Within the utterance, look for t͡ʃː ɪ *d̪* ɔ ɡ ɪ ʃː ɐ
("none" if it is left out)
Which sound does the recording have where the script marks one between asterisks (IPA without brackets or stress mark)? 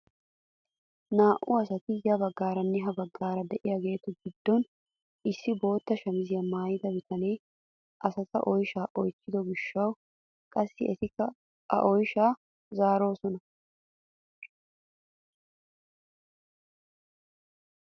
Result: d̪